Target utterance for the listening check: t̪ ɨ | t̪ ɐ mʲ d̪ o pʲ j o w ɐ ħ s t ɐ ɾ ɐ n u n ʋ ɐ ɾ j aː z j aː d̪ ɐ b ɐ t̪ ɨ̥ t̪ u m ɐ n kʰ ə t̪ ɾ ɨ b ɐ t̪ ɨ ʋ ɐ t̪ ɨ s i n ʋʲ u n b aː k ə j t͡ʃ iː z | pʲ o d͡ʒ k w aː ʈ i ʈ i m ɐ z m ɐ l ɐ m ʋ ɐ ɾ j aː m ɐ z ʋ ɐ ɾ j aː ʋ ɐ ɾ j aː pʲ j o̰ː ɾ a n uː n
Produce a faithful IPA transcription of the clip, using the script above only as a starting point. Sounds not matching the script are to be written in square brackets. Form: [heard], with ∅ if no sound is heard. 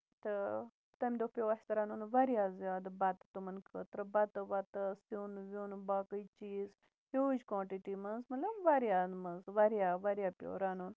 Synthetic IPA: t̪ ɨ | t̪ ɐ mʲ d̪ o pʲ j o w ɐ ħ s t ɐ ɾ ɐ n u n ʋ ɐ ɾ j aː z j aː d̪ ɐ b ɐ t̪ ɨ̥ t̪ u m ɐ n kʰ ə t̪ ɾ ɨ b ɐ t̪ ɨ ʋ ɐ t̪ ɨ s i n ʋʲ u n b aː k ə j t͡ʃ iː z | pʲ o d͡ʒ k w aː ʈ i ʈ i m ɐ z m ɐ l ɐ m ʋ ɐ ɾ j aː m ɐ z ʋ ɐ ɾ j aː ʋ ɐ ɾ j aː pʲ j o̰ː ɾ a n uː n